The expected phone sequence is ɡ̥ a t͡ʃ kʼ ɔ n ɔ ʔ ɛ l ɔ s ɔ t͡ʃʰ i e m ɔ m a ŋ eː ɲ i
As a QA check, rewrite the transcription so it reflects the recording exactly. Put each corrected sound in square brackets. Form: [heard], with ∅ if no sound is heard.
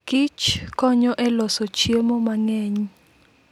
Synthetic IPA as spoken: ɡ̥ [i] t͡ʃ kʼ ɔ [ɲ] ɔ ʔ ɛ l ɔ s ɔ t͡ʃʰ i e m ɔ m a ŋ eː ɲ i

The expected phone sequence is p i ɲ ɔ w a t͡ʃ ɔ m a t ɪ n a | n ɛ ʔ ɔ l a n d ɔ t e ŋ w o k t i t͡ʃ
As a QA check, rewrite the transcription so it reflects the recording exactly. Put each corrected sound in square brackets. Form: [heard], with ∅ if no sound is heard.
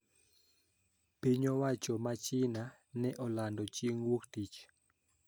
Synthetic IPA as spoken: p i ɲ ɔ w a t͡ʃ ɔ m a [t͡ʃ] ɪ n a | n ɛ ʔ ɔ l a n d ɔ [t͡ʃ] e ŋ w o k t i t͡ʃ

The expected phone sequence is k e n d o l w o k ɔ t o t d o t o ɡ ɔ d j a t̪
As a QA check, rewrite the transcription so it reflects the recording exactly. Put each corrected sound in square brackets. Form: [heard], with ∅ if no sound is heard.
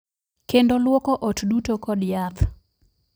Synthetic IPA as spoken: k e n d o l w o k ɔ [ʔ] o t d [u] t o [k] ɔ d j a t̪

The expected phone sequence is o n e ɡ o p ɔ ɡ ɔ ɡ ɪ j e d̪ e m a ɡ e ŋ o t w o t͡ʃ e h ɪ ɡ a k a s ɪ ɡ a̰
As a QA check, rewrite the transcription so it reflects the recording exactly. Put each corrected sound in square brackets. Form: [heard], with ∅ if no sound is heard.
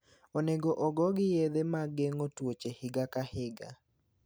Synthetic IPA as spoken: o n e ɡ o [ʔ] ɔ ɡ ɔ ɡ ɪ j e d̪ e m a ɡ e ŋ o t w o t͡ʃ e h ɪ ɡ a k a [h] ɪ ɡ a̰

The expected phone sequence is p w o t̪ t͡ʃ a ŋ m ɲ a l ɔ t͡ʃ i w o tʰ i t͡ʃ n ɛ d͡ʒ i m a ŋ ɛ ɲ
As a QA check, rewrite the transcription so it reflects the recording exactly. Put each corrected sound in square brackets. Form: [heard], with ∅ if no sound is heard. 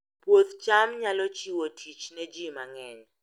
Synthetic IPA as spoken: p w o t̪ t͡ʃ a [∅] m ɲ a l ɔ t͡ʃ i w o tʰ i t͡ʃ n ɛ d͡ʒ i m a ŋ ɛ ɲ

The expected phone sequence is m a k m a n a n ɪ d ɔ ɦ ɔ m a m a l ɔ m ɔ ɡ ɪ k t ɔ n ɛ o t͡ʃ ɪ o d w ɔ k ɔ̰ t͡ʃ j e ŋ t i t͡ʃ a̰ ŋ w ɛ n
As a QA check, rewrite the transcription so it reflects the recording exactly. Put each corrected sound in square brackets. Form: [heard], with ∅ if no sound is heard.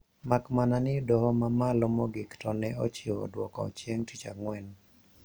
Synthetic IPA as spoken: m a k m a n a n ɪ d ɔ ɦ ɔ m a m a l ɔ m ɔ ɡ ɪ k t ɔ n ɛ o t͡ʃ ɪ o d w ɔ k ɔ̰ t͡ʃ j e ŋ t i t͡ʃ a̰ ŋ w ɛ n

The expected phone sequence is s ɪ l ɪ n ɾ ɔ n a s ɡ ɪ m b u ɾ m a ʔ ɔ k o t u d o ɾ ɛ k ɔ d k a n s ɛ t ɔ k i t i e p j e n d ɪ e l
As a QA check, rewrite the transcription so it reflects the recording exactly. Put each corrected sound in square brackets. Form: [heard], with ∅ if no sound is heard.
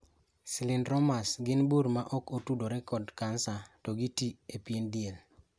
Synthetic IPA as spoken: s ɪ l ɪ n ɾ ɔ [m] a s ɡ ɪ [n] b u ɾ m a ʔ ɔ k o t u d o ɾ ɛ k ɔ d k a n s [a] t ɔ [ɡ] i t i e p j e n d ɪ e l

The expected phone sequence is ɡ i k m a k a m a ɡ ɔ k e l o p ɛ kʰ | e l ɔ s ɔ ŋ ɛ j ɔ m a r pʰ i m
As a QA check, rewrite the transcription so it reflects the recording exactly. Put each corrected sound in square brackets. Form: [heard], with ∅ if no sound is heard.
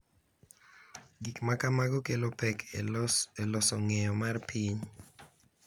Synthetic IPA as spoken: ɡ i k m a k a m a ɡ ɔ k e l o p ɛ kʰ | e l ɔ s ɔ ŋ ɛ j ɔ m a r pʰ i [ɲ]

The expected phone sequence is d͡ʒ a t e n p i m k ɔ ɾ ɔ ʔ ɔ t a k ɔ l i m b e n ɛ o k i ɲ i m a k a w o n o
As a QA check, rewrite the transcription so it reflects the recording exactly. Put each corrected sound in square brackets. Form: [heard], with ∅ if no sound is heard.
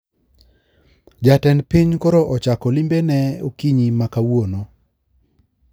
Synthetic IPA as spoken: d͡ʒ a t [ɛ] n p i [ɲ] k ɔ ɾ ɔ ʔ ɔ [t͡ʃ] a k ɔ l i m b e n ɛ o k i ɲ i m a k a w o n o

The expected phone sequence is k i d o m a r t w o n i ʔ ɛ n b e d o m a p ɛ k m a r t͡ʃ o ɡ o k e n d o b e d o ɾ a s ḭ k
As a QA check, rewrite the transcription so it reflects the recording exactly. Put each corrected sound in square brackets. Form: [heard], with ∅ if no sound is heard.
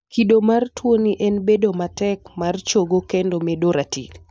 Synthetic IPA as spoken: k i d o m a r t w o n i ʔ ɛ n b e d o m a [t] ɛ k m a r t͡ʃ o ɡ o k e n d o [m] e d o ɾ a [t] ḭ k

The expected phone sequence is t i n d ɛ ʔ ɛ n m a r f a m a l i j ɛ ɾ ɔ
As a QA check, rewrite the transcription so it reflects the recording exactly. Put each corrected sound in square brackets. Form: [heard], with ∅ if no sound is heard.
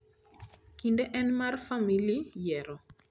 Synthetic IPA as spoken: [k] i n d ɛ ʔ ɛ n m a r f a m [i] l i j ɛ ɾ ɔ

